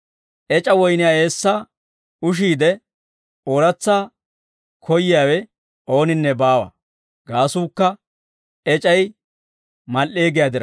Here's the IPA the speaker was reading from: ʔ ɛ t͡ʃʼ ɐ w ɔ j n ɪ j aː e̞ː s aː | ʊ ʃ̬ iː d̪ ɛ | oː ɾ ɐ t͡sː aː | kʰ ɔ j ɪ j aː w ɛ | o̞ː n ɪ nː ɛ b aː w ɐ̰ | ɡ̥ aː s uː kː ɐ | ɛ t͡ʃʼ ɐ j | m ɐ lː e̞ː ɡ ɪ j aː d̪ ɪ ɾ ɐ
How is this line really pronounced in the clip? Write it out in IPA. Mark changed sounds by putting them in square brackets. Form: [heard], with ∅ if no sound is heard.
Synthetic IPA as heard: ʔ ɛ t͡ʃʼ ɐ w ɔ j n ɪ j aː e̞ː [sː] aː | ʊ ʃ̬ iː d̪ ɛ | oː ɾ ɐ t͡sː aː | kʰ ɔ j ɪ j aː w ɛ | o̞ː n ɪ nː ɛ b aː w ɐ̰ | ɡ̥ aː s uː kː ɐ | ɛ t͡ʃʼ ɐ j | m ɐ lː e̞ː ɡ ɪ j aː d̪ ɪ ɾ ɐ